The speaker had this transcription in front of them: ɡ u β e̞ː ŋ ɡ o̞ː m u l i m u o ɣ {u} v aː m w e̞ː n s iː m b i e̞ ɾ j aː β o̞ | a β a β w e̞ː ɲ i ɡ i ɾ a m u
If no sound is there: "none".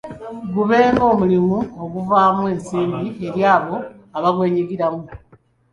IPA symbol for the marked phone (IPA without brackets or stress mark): u